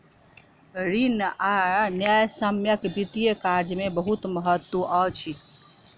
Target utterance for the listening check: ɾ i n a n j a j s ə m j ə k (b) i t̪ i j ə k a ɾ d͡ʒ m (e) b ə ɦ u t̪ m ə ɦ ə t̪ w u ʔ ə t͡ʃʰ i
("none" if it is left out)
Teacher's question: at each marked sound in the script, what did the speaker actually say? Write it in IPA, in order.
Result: b, e

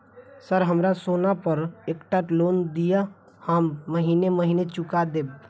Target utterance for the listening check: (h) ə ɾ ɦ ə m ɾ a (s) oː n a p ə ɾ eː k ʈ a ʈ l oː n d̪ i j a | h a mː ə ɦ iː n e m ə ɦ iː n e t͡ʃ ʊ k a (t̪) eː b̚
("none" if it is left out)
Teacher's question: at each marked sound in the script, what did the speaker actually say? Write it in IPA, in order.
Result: s, s, d̪

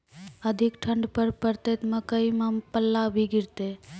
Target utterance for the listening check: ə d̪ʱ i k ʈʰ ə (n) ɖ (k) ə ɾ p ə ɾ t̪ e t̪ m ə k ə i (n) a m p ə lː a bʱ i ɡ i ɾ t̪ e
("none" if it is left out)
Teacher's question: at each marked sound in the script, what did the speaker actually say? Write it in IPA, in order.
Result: ɳ, p, m

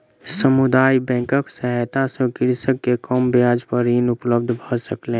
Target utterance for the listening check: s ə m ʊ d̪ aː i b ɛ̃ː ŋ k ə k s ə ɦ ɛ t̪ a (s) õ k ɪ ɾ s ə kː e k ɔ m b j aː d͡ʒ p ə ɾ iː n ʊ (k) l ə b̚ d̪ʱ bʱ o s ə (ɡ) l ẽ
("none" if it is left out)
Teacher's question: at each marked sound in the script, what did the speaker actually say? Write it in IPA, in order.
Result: s, p, k

